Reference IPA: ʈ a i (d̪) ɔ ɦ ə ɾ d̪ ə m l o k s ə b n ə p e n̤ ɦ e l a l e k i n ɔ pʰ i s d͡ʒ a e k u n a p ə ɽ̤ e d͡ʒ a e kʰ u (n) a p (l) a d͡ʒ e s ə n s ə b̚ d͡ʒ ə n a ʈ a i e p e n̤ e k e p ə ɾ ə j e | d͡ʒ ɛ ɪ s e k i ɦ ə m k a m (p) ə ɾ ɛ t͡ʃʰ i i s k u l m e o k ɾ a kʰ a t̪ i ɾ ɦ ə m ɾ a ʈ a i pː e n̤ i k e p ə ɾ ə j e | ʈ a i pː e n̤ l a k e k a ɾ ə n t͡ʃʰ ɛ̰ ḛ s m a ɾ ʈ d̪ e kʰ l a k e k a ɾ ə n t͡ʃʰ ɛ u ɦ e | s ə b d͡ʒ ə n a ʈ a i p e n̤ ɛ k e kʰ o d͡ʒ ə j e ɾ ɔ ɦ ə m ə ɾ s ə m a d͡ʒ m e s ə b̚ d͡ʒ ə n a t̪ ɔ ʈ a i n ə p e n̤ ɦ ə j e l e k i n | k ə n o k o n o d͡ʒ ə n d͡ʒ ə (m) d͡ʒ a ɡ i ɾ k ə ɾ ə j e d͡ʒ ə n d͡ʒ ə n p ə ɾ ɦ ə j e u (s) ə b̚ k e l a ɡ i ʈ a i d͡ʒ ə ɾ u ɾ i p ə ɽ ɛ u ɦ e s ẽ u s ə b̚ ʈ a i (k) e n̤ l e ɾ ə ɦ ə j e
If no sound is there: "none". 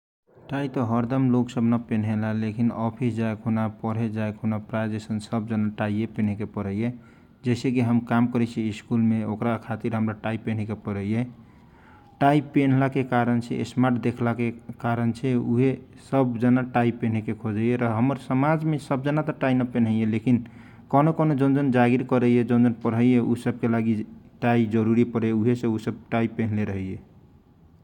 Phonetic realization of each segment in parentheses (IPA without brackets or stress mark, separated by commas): t̪, n, ɾ, k, n, s, p